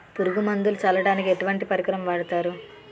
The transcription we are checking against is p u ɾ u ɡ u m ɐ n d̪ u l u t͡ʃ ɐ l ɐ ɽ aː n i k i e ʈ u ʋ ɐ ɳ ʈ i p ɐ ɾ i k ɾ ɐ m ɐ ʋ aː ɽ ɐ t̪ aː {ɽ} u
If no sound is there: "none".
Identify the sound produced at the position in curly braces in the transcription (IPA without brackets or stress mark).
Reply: ɾ